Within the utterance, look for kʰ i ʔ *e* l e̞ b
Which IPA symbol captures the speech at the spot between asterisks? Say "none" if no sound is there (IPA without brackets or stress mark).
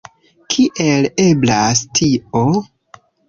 e